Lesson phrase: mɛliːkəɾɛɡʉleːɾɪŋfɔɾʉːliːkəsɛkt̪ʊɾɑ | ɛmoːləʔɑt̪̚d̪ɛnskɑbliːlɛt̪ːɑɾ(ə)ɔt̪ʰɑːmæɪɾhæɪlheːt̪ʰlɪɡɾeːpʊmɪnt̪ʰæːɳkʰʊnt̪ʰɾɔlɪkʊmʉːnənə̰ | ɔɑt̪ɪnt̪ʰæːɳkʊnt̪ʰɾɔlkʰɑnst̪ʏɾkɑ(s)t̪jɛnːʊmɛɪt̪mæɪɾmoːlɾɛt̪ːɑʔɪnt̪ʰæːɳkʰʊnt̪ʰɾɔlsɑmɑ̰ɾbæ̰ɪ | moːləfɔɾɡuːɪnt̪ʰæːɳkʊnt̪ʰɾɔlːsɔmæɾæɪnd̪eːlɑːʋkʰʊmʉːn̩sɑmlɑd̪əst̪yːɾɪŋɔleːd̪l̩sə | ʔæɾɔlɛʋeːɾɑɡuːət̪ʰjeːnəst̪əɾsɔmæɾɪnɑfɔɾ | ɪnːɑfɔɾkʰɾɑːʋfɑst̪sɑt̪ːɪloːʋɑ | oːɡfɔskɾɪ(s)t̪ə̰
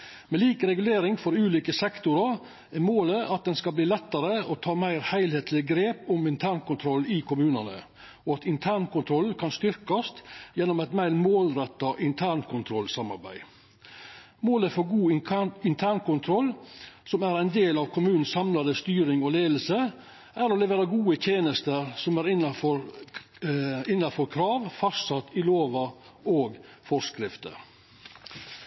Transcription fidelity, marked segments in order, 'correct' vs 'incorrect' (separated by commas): correct, correct, incorrect